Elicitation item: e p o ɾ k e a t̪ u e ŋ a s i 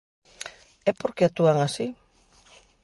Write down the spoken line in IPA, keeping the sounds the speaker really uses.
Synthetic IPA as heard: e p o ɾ k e a t̪ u a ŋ a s i